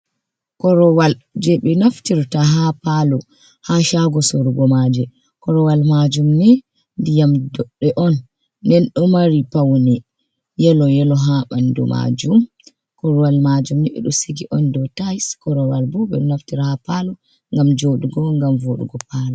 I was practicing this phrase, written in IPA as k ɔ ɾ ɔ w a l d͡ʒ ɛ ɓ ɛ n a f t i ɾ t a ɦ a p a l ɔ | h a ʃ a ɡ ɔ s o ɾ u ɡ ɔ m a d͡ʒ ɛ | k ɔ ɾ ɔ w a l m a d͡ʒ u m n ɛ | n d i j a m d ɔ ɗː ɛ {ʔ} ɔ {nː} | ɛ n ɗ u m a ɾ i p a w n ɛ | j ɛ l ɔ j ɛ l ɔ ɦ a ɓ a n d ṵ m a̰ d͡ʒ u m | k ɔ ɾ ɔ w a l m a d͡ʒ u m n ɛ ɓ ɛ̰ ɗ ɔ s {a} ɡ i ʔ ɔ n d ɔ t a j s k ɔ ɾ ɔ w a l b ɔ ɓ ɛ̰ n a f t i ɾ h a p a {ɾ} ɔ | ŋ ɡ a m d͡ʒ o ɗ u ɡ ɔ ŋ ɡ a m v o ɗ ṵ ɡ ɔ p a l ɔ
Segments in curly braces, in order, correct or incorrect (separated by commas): correct, correct, incorrect, incorrect